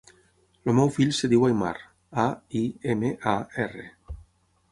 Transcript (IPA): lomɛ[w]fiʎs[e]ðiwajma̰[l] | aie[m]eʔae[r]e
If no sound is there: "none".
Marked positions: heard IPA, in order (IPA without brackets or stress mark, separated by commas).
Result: w, e, ɾ, m, r